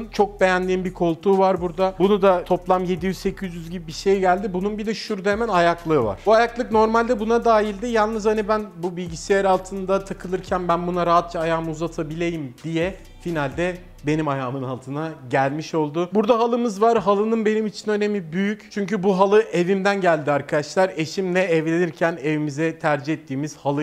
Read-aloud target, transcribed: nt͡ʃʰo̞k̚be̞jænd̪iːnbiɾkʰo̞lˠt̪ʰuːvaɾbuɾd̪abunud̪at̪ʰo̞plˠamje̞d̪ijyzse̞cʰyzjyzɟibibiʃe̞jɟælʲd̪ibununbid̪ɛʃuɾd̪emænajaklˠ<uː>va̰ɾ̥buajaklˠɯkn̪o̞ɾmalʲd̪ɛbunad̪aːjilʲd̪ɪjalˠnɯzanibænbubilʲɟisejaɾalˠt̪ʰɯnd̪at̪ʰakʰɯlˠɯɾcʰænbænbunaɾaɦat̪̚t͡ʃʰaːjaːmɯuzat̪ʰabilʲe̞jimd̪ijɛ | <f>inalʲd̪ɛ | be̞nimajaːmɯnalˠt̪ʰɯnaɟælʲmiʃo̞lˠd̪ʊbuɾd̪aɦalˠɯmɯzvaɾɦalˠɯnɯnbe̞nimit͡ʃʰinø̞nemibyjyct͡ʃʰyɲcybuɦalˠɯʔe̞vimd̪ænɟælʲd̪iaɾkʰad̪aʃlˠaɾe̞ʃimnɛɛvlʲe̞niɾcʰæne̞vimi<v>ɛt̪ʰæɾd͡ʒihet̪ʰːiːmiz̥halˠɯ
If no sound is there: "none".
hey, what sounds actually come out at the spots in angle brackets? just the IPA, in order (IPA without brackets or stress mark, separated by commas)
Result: ɯː, f, z